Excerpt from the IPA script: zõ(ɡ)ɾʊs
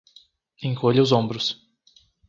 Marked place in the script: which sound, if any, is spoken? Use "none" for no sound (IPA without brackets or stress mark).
b